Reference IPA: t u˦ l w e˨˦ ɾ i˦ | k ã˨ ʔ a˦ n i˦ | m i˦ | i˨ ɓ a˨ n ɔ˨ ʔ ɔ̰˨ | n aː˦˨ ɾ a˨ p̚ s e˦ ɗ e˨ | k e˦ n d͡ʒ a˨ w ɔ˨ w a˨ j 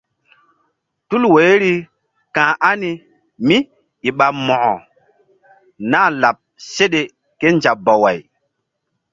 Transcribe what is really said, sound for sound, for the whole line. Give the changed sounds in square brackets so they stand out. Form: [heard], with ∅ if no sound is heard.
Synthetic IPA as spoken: t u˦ l w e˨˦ ɾ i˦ | k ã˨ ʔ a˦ n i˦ | m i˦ | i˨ ɓ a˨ [m] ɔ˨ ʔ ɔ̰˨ | n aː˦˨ [l] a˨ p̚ s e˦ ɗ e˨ | k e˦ n d͡ʒ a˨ [b] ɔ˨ w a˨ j

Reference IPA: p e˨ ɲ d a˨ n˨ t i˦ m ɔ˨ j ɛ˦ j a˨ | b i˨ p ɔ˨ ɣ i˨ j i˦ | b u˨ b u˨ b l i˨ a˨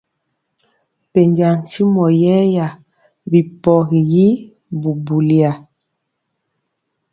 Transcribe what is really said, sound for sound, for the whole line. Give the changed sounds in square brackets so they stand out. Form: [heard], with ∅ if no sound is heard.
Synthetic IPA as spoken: p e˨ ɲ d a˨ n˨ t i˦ m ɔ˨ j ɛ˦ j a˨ | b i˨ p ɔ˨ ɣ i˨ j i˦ | b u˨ b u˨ [∅] l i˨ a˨

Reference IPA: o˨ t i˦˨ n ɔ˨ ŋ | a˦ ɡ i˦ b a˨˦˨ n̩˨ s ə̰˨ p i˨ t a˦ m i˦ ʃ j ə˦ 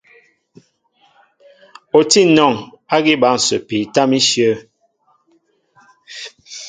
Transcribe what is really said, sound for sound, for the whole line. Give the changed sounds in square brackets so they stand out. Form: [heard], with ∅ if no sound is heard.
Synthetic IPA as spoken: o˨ t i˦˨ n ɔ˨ ŋ | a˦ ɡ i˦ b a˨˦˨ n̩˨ s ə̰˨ p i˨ t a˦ m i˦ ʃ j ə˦

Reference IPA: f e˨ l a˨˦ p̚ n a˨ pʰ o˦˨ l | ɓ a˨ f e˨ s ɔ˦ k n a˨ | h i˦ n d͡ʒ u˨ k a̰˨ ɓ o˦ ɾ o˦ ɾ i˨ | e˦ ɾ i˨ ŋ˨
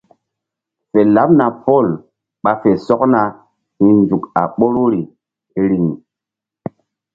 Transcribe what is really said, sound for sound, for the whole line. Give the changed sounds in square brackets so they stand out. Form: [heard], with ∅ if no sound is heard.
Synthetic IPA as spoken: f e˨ l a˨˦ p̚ n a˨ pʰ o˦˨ l | ɓ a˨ f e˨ s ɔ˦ k n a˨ | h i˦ n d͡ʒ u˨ k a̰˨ ɓ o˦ ɾ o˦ ɾ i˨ | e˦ ɾ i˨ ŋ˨

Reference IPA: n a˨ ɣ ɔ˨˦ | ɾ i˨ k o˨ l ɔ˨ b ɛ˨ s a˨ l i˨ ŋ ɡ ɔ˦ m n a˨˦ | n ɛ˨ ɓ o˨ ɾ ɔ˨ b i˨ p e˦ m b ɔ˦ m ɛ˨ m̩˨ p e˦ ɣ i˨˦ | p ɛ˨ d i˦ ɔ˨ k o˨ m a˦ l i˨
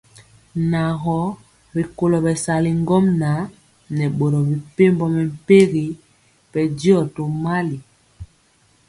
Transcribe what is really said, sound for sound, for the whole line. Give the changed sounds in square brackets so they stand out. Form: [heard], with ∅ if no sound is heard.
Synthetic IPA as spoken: n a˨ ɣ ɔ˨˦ | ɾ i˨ k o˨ l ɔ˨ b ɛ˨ s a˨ l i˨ ŋ ɡ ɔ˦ m n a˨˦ | n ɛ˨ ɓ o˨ ɾ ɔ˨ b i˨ p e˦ m b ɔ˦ m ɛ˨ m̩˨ p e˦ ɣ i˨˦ | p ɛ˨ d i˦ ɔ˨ [t] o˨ m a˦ l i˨

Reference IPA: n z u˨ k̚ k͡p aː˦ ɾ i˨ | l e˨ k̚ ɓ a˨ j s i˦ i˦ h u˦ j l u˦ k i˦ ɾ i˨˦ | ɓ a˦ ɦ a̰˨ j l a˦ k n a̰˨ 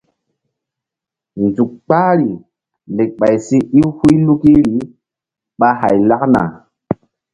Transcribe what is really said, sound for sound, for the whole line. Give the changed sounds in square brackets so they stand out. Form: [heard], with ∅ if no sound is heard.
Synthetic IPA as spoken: n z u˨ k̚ k͡p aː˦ ɾ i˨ | l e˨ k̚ ɓ a˨ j s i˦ i˦ h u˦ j l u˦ k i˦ ɾ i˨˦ | ɓ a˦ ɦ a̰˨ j l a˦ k n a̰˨

